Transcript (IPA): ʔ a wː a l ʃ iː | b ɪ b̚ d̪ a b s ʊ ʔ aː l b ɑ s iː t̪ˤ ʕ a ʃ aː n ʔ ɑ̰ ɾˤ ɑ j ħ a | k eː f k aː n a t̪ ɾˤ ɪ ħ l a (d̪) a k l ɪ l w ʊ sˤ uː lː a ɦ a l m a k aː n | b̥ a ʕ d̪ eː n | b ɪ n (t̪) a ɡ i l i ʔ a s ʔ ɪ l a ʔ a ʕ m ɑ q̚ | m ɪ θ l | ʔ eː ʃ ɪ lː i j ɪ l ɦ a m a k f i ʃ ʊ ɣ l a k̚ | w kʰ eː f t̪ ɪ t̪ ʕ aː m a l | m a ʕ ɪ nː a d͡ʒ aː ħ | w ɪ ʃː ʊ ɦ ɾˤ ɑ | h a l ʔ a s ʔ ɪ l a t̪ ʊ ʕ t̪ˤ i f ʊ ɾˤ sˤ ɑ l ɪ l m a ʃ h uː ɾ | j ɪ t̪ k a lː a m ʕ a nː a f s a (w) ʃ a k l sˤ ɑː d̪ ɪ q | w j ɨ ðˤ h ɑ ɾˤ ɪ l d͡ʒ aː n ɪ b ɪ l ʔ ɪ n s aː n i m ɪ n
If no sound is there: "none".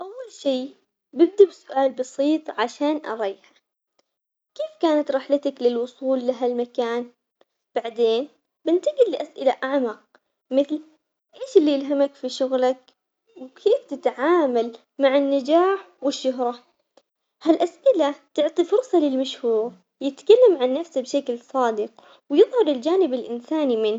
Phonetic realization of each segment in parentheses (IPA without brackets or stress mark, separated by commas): t̪, t̪, b